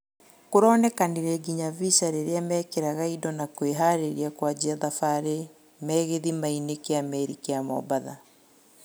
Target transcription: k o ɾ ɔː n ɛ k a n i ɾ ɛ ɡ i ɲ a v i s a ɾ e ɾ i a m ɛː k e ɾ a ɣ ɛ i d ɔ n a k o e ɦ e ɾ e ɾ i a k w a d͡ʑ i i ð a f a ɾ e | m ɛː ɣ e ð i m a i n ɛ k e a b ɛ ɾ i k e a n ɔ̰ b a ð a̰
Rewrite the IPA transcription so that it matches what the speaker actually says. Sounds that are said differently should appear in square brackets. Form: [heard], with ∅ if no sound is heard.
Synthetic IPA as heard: k o ɾ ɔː n ɛ k a n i ɾ ɛ ɡ i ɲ a v i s a ɾ e ɾ [e] a m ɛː k e ɾ a ɣ [a] i d ɔ n a k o e ɦ [a] ɾ e ɾ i a k w a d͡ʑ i [a] ð a f a ɾ e | m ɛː ɣ e ð i m a i n [e] k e a [m] ɛ ɾ i k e a [m] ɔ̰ b a ð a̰